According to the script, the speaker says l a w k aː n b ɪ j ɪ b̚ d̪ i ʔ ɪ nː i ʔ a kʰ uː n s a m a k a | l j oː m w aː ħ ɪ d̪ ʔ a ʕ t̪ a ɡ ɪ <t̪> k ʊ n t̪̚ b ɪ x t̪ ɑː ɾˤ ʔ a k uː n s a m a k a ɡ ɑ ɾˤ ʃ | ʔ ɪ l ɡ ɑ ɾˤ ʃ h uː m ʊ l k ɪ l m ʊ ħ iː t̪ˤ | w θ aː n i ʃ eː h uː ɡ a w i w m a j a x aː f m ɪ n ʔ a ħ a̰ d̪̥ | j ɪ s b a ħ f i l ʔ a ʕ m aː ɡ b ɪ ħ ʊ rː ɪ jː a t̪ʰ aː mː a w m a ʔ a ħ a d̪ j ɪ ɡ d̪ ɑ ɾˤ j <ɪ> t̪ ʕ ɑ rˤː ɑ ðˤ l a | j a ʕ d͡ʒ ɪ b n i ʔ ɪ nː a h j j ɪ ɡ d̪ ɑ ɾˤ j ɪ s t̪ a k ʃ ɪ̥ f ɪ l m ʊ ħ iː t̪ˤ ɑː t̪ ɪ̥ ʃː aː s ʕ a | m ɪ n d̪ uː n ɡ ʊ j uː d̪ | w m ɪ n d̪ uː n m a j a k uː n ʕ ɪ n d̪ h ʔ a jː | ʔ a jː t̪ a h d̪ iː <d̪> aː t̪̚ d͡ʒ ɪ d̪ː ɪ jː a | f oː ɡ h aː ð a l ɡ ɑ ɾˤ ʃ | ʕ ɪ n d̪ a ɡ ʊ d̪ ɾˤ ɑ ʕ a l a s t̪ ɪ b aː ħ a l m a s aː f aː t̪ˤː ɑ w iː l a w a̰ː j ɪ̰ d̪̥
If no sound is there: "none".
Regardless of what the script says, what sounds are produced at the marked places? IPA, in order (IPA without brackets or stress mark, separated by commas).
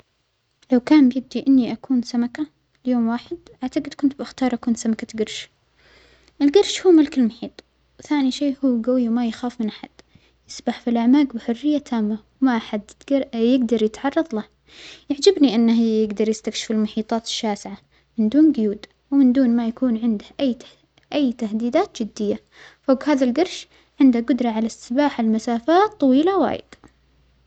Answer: d̪, ɪ, d̪